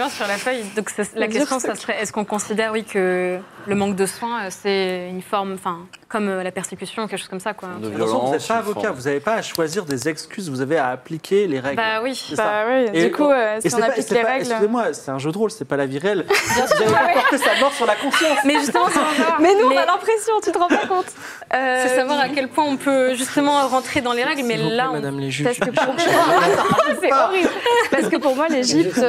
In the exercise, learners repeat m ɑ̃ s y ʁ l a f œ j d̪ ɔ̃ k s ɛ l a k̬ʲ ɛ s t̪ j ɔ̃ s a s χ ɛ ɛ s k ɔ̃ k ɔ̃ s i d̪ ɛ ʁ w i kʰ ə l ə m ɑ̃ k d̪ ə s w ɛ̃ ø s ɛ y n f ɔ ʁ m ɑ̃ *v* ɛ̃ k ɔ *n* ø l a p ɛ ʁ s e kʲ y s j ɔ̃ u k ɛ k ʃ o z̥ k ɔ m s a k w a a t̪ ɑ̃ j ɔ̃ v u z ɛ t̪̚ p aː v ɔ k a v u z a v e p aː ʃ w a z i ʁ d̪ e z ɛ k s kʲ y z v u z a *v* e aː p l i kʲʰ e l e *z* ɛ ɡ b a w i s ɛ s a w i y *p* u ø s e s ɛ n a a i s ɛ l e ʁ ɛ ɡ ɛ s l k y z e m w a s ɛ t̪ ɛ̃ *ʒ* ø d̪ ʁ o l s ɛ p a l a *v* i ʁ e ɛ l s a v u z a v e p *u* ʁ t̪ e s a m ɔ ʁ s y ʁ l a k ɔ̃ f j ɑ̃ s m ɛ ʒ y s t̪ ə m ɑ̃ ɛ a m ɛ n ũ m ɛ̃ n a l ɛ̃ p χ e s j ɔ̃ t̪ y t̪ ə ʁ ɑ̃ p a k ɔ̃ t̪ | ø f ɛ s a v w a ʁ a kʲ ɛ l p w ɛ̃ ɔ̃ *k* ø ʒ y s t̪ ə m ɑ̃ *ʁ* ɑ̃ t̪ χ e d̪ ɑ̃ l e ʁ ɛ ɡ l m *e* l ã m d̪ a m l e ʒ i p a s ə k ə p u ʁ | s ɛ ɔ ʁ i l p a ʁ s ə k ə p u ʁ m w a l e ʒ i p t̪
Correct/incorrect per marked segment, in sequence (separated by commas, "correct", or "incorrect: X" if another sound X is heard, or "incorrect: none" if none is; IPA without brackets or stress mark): incorrect: f, incorrect: m, correct, incorrect: ʁ, incorrect: k, correct, correct, incorrect: ɔ, incorrect: p, correct, incorrect: ɛ